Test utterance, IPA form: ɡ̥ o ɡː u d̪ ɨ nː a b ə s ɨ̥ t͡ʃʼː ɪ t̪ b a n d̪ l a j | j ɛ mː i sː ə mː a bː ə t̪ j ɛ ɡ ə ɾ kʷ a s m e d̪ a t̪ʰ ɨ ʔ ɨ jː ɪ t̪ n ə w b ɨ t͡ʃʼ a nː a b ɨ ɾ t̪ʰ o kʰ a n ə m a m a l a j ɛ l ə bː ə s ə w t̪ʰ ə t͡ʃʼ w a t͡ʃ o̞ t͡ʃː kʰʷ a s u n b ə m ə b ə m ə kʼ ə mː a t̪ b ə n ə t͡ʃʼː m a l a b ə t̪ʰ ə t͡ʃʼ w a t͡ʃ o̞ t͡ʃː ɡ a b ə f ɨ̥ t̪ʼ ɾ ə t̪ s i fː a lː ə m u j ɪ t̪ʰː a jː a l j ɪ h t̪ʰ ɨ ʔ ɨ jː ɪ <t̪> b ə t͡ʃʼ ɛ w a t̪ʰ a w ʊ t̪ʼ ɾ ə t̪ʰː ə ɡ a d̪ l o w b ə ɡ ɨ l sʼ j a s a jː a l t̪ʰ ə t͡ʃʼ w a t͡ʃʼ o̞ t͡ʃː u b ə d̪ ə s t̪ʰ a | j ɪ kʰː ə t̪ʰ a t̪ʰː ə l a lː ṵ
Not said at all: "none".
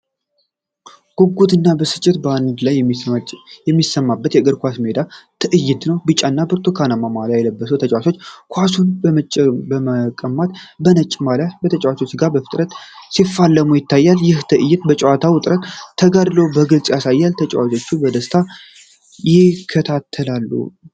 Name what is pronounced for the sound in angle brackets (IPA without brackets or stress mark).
t̪